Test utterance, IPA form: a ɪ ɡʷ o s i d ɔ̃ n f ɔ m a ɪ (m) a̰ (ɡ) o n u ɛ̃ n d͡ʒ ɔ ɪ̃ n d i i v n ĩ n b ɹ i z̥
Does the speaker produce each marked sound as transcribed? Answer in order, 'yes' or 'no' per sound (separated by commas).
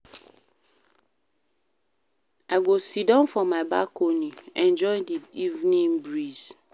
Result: no, no